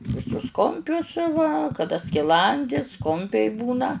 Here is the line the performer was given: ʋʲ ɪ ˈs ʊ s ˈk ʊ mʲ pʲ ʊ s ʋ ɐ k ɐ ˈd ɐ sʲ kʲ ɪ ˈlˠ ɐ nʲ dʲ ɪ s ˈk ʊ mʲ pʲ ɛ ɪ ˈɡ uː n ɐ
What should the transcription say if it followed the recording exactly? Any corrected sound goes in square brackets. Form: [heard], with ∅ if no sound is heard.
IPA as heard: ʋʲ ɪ ˈs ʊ s ˈk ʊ mʲ pʲ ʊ s ʋ ɐ k ɐ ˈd ɐ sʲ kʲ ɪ ˈlˠ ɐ nʲ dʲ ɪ s ˈk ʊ mʲ pʲ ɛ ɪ [ˈb] uː n ɐ